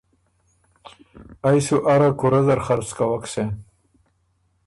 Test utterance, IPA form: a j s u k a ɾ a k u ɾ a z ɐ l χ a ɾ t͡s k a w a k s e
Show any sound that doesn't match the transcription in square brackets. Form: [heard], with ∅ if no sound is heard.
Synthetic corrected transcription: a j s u [ʔ] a ɾ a k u ɾ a z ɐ [ɾ] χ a ɾ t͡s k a w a k s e